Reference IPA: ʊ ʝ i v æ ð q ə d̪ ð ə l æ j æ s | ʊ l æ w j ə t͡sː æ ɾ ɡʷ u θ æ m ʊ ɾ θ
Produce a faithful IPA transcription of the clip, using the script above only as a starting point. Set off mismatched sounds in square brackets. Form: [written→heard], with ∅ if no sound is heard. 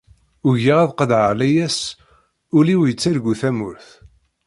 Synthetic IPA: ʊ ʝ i [v→ʁ] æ ð q ə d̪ [ð→ʕ] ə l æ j æ s | ʊ l [æ→i] w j ə t͡sː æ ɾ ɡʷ u θ æ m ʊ ɾ θ

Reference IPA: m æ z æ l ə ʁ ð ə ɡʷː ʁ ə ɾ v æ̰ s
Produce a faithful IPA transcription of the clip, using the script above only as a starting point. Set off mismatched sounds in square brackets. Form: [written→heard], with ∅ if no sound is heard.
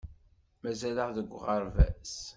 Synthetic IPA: m æ z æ l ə ʁ ð ə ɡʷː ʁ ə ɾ v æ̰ s

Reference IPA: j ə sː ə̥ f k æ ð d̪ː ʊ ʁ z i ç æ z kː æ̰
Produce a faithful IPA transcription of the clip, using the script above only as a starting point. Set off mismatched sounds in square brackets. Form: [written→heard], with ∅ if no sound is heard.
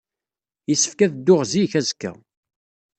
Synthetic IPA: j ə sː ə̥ f k æ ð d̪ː ʊ ʁ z i ç æ z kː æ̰

